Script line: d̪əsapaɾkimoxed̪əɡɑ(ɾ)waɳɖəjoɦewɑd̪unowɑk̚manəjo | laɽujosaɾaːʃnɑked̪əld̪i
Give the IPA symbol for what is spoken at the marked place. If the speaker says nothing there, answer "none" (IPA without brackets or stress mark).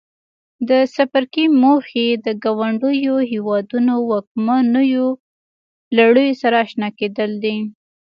none